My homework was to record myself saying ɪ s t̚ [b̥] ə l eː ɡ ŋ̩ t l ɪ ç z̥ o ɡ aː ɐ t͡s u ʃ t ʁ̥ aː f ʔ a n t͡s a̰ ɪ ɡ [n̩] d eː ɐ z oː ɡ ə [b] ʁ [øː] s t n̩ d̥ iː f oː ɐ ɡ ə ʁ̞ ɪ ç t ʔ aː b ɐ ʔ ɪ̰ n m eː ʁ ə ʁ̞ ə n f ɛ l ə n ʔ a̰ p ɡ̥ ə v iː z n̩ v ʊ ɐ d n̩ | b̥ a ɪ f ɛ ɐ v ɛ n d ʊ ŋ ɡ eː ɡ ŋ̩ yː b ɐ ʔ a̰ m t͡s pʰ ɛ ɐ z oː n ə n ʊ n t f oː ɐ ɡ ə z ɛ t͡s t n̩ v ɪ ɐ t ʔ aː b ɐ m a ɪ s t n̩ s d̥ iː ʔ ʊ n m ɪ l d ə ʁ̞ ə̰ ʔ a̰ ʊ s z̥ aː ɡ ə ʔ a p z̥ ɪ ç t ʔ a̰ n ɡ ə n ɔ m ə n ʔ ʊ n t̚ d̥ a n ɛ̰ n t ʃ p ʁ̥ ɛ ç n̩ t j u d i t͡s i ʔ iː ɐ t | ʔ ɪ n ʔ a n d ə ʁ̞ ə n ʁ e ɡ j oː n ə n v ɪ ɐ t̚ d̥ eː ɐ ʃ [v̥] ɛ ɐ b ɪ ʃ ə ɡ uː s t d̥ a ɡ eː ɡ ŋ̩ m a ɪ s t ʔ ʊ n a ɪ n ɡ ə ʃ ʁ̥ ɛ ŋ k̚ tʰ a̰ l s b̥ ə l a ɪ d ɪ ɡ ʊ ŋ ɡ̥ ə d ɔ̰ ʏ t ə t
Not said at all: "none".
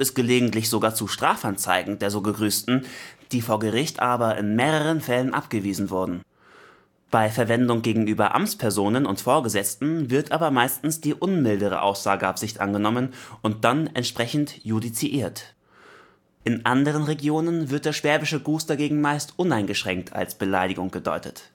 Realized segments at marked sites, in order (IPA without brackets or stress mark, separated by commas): ɡ̥, ŋ̩, ɡ, yː, v̥